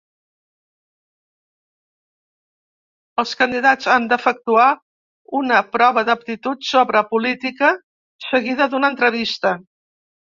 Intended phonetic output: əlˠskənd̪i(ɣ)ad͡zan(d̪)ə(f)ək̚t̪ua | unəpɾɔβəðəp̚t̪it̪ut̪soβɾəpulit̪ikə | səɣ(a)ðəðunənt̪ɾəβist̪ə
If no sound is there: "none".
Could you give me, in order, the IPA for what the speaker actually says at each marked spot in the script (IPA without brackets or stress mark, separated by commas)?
ð, d̪, f, i